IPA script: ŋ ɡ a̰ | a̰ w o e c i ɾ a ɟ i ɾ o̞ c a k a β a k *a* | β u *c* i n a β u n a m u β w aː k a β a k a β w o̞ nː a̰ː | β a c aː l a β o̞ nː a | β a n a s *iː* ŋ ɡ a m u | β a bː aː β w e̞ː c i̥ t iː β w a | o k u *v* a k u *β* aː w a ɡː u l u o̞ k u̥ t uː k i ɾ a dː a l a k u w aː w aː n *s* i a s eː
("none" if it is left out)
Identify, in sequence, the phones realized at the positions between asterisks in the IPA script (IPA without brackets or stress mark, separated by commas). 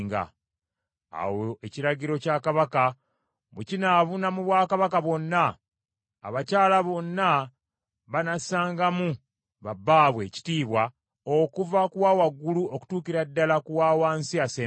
a, c, aː, v, w, s